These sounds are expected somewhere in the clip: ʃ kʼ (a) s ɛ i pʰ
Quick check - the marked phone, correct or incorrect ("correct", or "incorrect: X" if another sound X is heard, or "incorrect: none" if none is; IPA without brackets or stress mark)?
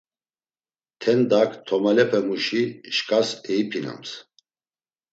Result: correct